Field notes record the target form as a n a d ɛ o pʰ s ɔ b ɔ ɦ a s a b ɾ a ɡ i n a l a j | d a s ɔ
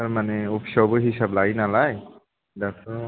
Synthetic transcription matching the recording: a m a n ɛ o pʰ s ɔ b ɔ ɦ i s a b l a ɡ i n a l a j | d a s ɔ